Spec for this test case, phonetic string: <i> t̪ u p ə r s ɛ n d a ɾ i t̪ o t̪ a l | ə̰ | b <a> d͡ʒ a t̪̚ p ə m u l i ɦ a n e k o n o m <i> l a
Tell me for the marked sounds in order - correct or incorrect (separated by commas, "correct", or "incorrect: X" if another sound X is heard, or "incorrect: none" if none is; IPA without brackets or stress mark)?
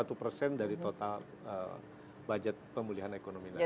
incorrect: a, correct, correct